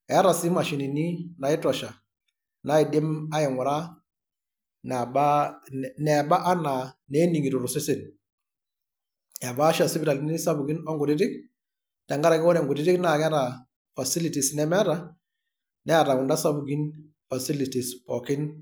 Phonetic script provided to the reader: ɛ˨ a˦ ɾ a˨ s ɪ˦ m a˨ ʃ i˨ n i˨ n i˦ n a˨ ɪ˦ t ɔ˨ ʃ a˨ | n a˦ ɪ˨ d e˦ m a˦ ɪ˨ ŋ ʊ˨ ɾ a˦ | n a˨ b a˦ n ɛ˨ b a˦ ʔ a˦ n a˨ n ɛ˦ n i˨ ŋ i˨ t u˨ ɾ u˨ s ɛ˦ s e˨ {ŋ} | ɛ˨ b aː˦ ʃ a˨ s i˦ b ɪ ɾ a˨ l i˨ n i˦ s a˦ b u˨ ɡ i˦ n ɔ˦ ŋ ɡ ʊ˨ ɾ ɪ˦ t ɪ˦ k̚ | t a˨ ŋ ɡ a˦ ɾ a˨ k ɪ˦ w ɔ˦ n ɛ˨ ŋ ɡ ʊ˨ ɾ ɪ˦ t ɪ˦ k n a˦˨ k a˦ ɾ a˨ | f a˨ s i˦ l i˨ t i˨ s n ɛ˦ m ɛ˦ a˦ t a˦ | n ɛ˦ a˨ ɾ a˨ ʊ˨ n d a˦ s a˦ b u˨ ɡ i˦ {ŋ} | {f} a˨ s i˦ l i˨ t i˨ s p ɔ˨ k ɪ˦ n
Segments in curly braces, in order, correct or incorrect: incorrect: n, incorrect: n, correct

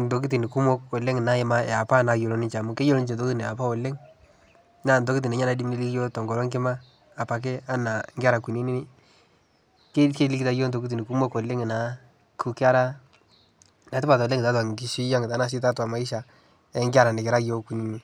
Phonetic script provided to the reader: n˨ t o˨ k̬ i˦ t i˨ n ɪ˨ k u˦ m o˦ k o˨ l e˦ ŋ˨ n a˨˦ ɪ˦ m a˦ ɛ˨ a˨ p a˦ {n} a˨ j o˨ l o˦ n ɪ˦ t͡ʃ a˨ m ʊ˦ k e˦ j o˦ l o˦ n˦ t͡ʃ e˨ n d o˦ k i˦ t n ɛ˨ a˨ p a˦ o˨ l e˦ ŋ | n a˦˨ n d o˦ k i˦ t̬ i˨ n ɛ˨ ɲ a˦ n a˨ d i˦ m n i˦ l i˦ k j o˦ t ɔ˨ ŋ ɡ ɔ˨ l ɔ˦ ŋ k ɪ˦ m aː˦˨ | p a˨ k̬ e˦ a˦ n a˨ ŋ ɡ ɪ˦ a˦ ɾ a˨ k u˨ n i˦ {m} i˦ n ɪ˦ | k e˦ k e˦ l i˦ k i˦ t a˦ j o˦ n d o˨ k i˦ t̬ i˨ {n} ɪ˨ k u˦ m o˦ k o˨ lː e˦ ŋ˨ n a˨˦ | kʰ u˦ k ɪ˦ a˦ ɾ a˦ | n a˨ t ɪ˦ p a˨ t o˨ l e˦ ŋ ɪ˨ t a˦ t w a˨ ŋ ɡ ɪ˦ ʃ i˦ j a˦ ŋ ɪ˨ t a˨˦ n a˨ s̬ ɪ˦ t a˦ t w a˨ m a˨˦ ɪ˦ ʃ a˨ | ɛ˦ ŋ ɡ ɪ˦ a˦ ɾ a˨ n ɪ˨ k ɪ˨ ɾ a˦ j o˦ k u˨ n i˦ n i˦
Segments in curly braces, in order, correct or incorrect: correct, incorrect: n, correct

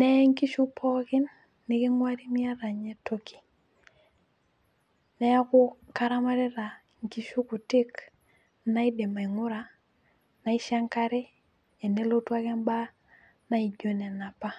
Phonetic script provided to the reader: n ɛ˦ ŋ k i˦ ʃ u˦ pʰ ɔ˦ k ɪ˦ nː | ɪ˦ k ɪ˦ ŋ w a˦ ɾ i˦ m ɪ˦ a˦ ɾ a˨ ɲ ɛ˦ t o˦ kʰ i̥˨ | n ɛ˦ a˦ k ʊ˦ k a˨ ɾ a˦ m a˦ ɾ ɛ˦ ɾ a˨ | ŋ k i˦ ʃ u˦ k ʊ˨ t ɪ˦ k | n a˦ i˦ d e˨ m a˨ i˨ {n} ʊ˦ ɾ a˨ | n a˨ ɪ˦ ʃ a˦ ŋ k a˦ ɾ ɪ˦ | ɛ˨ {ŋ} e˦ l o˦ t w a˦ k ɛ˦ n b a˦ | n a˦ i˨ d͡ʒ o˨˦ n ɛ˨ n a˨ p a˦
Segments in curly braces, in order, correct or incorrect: incorrect: ŋ, incorrect: n

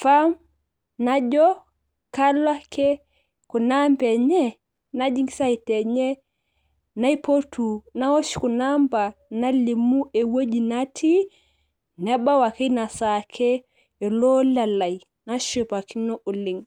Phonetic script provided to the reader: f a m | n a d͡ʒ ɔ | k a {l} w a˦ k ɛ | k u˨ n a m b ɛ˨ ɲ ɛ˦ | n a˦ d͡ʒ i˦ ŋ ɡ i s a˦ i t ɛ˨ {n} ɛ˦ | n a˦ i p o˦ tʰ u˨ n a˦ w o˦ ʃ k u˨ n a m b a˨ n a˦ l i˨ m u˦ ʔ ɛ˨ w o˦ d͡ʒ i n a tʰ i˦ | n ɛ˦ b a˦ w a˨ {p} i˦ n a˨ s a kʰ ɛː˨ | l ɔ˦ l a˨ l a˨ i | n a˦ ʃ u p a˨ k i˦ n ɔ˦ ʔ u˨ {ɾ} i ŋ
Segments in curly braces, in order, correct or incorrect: correct, incorrect: ɲ, incorrect: k, incorrect: l

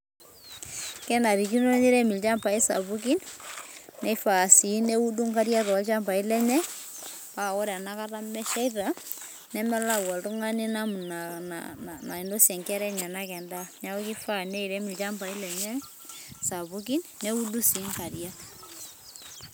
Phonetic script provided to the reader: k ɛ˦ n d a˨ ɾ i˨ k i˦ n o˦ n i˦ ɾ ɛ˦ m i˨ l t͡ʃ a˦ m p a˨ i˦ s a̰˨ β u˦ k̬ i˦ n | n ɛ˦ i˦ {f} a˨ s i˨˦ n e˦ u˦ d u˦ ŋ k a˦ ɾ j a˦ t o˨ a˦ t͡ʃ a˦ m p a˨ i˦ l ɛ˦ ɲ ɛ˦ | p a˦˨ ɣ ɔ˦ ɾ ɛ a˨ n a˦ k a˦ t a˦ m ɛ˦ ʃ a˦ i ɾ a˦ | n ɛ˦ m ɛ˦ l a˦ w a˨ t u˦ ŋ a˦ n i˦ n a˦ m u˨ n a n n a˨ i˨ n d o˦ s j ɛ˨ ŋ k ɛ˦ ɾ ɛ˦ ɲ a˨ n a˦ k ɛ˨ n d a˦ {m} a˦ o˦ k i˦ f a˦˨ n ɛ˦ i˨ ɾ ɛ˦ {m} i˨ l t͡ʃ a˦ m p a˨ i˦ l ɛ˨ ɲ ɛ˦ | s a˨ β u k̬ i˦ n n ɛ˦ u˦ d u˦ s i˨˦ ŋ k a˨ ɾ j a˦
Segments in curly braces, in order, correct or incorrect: correct, incorrect: ɲ, correct

